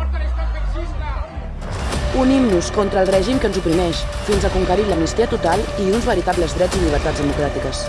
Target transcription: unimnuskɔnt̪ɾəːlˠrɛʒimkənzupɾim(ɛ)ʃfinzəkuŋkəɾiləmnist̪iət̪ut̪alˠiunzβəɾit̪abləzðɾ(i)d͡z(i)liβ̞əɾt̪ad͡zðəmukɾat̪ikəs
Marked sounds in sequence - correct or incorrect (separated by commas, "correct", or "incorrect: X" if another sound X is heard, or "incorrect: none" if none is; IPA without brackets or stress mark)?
correct, incorrect: ɛ, correct